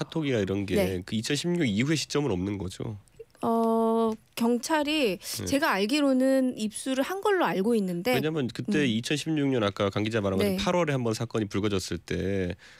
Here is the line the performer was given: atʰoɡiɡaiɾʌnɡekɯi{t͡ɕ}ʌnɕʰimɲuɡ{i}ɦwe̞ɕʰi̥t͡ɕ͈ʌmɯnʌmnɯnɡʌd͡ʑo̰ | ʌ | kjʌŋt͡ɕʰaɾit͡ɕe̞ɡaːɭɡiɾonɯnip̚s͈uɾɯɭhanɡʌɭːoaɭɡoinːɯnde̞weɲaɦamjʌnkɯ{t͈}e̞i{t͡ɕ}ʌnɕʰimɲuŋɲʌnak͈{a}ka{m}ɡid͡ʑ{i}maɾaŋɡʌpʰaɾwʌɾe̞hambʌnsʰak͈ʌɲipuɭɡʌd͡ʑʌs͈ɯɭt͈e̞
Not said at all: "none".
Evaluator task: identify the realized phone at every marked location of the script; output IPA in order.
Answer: t͡ɕʰ, i, t͈, t͡ɕʰ, a, ŋ, a

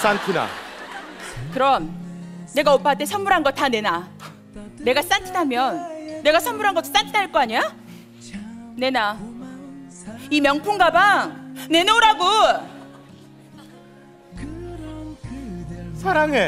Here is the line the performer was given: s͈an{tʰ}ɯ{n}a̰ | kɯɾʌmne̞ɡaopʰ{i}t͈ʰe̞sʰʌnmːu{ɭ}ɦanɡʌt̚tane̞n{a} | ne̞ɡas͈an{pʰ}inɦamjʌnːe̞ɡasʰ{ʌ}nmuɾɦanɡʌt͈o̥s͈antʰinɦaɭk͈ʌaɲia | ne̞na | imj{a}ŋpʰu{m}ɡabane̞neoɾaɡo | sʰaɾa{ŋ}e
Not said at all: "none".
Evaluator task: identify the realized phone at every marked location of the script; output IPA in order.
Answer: tʰ, n, a, ɾ, a, tʰ, ʌ, ʌ, ŋ, ŋ

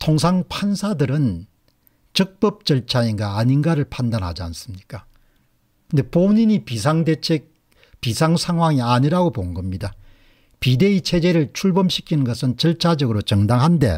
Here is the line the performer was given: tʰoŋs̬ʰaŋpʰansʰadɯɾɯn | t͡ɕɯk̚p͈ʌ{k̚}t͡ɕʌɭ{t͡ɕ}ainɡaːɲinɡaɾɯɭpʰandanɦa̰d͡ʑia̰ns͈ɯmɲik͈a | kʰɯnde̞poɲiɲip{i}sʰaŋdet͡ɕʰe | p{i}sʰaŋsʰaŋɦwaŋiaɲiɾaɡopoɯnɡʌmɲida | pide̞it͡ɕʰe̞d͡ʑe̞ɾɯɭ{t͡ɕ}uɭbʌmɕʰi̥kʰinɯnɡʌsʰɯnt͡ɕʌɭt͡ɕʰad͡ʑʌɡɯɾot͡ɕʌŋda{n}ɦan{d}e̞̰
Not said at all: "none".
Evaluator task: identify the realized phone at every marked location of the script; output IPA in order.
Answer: p̚, t͡ɕʰ, i, i, t͡ɕʰ, ŋ, d

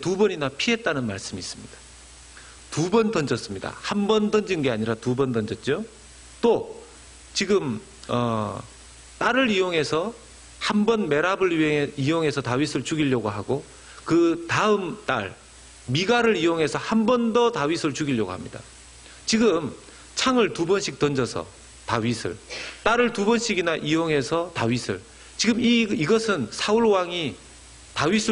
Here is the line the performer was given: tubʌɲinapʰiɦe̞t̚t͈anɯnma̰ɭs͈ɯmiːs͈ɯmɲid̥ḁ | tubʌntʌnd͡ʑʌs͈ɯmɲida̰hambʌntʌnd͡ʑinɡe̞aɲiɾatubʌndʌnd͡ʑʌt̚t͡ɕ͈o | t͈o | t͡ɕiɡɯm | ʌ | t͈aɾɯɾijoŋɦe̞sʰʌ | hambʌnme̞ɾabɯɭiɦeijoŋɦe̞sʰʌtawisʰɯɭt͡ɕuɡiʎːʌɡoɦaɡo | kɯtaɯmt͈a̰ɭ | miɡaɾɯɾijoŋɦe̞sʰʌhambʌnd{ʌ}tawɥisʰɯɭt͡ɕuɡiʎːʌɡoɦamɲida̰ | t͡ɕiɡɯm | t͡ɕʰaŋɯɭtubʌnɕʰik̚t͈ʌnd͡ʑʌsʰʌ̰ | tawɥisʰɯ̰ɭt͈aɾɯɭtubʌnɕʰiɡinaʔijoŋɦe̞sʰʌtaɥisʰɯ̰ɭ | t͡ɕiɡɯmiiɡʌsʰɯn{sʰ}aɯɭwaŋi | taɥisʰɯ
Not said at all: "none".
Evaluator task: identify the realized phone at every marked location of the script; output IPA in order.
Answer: ʌ, sʰ

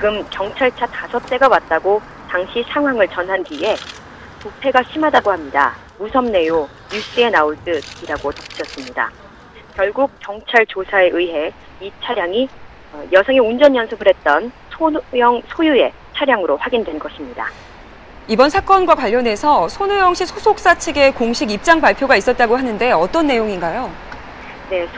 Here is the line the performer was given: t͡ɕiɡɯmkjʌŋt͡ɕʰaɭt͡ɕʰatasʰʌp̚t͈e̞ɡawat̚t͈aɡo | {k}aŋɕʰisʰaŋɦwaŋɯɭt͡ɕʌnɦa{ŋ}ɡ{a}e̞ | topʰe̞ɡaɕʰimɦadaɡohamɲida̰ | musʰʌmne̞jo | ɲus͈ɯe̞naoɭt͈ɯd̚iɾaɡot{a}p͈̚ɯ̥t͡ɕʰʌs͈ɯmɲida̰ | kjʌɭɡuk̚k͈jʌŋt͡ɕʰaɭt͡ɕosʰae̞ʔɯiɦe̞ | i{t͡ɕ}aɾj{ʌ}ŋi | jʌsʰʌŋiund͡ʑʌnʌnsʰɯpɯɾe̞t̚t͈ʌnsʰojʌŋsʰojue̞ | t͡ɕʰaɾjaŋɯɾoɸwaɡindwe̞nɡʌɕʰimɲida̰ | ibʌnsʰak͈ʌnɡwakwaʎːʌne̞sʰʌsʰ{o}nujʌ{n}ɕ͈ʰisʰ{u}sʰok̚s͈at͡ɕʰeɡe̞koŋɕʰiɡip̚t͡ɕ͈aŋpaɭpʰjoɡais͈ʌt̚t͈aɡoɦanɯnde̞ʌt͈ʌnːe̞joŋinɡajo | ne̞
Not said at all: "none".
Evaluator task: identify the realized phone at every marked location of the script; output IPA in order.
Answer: t, n, i, ʌ, t͡ɕʰ, a, o, ŋ, o

